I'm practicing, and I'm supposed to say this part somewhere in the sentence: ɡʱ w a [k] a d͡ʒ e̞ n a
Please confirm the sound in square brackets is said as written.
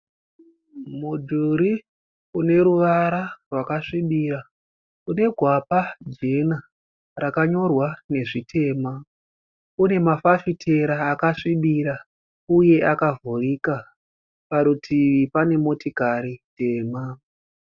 no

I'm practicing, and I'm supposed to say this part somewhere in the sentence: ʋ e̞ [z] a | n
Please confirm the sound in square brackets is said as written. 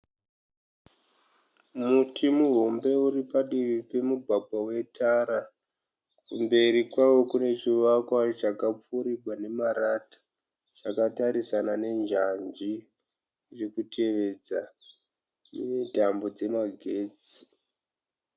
no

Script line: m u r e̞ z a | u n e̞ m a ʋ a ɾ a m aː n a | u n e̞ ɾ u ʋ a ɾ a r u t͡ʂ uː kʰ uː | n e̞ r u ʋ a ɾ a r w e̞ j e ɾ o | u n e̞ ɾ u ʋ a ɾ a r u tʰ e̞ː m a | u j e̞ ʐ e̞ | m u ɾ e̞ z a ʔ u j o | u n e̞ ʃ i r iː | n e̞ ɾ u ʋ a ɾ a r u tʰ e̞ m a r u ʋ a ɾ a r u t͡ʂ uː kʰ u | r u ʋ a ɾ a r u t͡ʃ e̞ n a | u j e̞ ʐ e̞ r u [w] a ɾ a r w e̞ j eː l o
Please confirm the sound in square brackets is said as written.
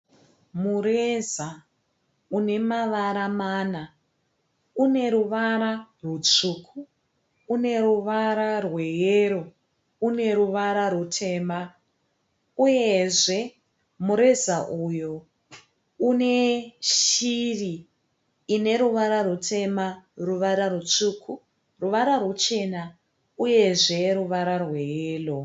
no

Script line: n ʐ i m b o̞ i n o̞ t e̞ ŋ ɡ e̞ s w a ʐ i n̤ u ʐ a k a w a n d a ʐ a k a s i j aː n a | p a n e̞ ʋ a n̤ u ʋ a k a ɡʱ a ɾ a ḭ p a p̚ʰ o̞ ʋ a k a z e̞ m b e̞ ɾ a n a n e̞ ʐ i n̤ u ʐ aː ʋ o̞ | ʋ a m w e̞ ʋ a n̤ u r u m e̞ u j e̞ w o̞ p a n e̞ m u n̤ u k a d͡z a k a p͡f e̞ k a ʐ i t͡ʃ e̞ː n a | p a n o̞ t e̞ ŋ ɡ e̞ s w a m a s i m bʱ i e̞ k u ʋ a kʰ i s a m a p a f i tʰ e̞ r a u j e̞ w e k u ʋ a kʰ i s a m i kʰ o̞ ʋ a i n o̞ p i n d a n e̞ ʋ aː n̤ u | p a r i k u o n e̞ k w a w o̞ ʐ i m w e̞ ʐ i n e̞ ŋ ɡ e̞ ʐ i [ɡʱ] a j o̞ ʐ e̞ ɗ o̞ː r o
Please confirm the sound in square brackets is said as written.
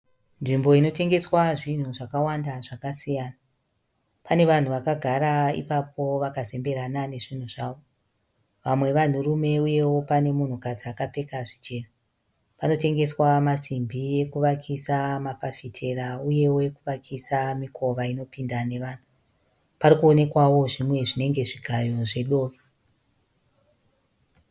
yes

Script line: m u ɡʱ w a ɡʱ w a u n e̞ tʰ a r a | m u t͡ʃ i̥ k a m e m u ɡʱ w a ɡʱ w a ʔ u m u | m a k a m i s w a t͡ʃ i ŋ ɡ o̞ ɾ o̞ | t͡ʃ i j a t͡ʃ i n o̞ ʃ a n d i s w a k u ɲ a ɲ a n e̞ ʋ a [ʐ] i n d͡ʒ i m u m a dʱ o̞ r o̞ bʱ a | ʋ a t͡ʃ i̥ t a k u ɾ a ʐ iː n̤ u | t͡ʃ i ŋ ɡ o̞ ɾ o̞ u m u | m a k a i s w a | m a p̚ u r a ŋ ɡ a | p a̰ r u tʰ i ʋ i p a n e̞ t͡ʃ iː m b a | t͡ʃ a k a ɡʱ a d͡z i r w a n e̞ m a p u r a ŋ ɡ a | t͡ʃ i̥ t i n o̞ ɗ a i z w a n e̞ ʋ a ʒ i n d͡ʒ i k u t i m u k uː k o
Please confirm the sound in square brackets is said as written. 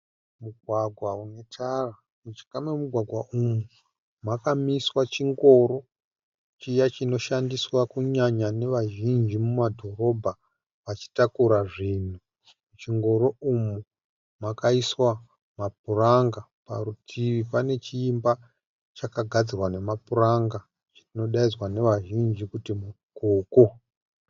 no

